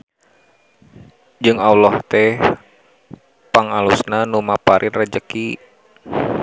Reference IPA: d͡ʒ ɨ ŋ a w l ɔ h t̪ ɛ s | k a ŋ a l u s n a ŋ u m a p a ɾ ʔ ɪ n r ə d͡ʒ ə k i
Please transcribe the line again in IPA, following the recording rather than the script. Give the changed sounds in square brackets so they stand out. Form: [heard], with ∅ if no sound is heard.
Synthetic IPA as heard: d͡ʒ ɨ ŋ a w l ɔ h t̪ ɛ [h] | [p] a ŋ a l u s n a [n] u m a p a ɾ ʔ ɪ n r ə d͡ʒ ə k i